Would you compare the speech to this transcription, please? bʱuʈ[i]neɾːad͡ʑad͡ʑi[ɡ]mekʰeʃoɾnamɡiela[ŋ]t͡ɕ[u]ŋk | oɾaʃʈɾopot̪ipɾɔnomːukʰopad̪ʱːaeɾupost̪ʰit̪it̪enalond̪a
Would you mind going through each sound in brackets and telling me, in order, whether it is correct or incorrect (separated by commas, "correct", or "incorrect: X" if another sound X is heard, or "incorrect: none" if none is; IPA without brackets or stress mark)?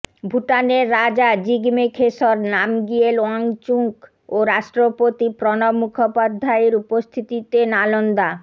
incorrect: a, correct, correct, correct